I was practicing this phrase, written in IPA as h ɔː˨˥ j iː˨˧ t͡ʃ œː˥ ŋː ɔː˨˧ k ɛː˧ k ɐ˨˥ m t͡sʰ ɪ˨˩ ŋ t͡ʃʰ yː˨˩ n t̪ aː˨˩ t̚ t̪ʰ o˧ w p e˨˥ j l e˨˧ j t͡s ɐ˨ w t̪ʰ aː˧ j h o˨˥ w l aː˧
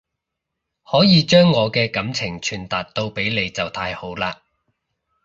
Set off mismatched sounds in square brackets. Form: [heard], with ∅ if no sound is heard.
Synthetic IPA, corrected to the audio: h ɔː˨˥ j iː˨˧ t͡ʃ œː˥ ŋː ɔː˨˧ k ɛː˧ k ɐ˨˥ m t͡sʰ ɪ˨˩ ŋ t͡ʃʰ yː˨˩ n t̪ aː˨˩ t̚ [t̪] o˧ w p e˨˥ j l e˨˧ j t͡s ɐ˨ w t̪ʰ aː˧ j h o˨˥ w l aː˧